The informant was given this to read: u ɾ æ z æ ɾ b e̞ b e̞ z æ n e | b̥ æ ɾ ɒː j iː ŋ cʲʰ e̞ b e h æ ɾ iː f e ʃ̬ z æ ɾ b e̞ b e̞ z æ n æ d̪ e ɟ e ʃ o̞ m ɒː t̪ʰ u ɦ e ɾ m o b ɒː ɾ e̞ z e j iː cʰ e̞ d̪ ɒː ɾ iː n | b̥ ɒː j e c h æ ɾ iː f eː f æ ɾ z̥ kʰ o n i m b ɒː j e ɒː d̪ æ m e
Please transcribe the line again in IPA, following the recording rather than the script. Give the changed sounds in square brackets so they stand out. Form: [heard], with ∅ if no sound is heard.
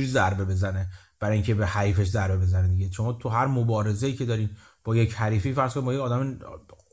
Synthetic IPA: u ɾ [i] z æ ɾ b e̞ b e̞ z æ n e | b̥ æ ɾ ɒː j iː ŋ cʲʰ e̞ b e h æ ɾ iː f e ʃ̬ z æ ɾ b e̞ b e̞ z æ n [e] d̪ [i] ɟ e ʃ o̞ m ɒː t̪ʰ u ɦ [æ] ɾ m o b ɒː ɾ e̞ z e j iː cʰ e̞ d̪ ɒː ɾ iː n | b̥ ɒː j e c h æ ɾ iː f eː f æ ɾ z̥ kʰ o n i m b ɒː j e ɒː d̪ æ m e